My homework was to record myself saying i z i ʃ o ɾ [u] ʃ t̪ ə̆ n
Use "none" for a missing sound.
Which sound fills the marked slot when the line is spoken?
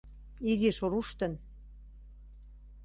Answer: u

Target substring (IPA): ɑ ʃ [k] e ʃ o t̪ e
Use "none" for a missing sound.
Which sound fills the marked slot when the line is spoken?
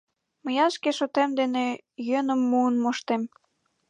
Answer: k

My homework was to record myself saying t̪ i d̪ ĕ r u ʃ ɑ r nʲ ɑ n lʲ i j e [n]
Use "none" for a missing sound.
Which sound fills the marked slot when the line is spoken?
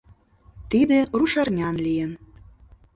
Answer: n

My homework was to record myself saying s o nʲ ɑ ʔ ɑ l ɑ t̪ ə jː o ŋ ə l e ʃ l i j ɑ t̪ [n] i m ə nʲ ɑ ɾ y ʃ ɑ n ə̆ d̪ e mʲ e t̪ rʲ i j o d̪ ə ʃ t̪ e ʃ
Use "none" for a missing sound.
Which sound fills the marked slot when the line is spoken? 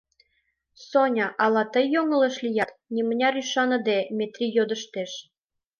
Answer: n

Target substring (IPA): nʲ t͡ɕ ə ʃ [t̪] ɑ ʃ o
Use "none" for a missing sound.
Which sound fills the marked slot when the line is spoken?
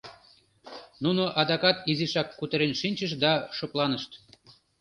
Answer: d̪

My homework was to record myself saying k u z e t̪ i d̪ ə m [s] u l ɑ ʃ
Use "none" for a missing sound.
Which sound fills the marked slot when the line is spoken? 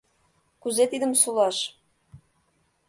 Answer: s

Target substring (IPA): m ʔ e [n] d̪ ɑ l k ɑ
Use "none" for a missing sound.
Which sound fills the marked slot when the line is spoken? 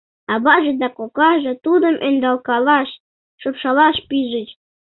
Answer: n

